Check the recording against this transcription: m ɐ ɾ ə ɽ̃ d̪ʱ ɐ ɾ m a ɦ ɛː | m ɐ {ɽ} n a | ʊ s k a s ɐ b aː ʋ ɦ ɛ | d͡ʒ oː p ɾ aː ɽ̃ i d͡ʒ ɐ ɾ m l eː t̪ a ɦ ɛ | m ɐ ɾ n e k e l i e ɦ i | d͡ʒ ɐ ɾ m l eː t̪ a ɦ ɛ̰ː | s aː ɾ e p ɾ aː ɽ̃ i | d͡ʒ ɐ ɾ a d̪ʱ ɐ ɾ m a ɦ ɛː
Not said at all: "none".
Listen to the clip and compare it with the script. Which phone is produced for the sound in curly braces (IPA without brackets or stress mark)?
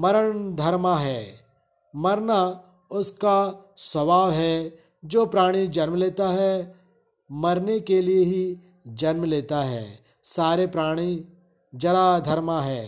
ɾ